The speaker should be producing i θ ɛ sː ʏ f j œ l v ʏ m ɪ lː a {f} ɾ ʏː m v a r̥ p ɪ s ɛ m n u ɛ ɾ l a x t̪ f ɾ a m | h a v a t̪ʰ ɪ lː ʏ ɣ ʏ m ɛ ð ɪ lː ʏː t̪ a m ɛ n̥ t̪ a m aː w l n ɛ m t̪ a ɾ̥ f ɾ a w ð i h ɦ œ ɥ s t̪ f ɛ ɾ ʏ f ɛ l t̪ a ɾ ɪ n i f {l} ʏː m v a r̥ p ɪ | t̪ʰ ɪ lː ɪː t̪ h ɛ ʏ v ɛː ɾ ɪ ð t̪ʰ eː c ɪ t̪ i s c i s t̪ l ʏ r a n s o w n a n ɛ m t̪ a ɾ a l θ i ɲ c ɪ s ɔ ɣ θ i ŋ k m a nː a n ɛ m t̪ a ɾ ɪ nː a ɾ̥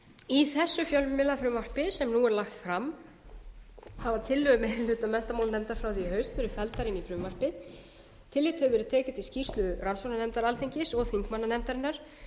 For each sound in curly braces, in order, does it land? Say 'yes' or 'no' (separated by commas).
yes, no